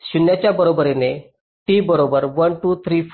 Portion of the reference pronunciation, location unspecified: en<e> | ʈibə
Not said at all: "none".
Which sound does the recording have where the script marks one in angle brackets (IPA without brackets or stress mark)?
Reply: e